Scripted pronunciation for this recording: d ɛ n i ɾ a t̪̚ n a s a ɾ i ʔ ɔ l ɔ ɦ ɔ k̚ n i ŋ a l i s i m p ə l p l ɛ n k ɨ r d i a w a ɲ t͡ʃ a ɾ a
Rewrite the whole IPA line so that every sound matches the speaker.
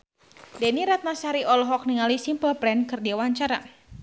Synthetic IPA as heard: d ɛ n i ɾ a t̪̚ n a s a ɾ i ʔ ɔ l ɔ ɦ ɔ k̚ n i ŋ a l i s i m p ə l p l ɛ n k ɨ r d i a w a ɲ t͡ʃ a ɾ a